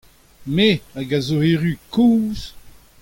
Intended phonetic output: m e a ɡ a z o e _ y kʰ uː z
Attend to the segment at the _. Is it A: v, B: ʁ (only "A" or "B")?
B